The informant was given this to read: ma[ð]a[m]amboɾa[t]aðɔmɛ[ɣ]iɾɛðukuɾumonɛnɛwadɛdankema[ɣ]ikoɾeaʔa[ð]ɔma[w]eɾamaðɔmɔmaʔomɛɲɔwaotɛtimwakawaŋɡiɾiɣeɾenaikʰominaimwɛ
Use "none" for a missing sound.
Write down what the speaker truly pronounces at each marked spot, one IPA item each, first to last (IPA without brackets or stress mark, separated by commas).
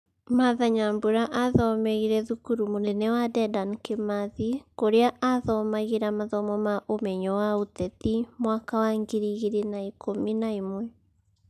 ð, ɲ, ʔ, ɣ, ð, ð, ɣ